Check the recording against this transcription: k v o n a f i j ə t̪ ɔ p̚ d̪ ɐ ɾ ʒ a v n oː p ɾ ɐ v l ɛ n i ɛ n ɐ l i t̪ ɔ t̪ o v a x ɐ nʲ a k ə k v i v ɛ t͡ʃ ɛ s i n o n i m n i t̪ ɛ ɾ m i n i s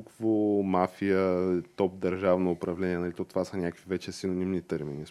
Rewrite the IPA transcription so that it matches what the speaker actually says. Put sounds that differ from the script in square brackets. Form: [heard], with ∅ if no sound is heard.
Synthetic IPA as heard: k v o [m] a f i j ə t̪ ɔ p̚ d̪ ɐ ɾ ʒ a v n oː p ɾ ɐ v l ɛ n i ɛ n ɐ l i t̪ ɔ t̪ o v a [s] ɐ nʲ a k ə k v i v ɛ t͡ʃ ɛ s i n o n i m n i t̪ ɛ ɾ m i n i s